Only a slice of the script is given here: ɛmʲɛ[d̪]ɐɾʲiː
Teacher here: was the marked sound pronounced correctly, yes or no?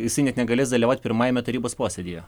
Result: no